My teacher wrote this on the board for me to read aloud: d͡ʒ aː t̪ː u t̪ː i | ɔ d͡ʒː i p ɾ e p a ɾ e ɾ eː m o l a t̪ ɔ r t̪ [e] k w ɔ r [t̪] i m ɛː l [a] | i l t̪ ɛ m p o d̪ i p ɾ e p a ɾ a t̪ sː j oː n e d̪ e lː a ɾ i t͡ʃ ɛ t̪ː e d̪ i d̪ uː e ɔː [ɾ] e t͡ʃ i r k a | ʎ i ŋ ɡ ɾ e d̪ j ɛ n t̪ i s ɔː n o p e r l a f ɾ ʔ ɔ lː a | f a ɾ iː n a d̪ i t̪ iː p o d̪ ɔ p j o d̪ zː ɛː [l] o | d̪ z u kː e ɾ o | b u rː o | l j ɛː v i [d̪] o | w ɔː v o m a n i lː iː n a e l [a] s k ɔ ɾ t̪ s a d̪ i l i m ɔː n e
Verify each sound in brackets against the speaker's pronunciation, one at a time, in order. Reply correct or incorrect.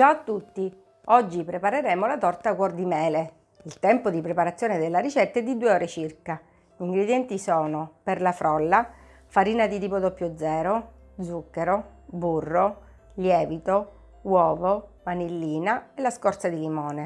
incorrect: a, incorrect: d̪, incorrect: e, correct, incorrect: ɾ, incorrect: t̪, correct

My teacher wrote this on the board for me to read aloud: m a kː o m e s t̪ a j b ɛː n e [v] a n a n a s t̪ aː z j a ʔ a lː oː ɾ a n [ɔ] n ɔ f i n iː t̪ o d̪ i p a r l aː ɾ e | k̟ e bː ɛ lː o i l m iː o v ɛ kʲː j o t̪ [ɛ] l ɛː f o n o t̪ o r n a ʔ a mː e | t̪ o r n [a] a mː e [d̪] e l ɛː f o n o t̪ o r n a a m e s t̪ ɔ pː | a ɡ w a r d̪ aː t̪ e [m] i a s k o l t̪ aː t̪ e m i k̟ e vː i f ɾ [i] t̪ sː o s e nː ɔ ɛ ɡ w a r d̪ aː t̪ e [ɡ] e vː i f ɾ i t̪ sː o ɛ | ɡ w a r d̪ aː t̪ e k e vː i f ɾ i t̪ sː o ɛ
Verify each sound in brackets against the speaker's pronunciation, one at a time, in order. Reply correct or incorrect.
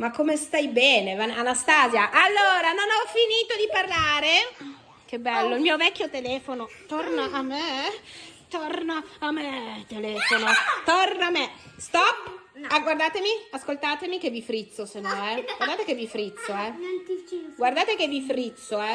correct, incorrect: o, incorrect: e, correct, incorrect: t̪, correct, correct, incorrect: k

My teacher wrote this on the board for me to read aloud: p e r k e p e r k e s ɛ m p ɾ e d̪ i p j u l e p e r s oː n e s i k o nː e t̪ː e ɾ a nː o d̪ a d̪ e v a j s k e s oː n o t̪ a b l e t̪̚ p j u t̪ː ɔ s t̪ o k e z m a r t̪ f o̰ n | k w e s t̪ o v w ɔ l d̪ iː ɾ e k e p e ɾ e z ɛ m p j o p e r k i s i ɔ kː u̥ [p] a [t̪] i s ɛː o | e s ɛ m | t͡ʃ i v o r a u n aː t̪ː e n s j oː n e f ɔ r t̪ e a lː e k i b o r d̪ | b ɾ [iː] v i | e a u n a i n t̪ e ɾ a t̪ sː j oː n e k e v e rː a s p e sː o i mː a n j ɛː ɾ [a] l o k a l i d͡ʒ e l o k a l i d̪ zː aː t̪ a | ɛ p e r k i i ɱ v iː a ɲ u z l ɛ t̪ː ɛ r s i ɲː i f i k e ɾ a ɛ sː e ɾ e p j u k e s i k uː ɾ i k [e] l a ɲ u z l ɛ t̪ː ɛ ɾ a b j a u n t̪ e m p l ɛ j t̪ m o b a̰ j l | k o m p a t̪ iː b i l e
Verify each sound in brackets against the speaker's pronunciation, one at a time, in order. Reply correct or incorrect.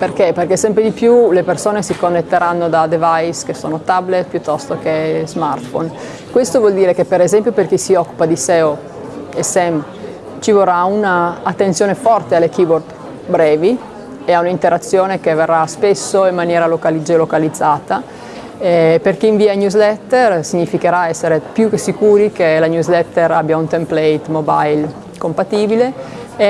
correct, incorrect: d̪, incorrect: ɛː, correct, correct

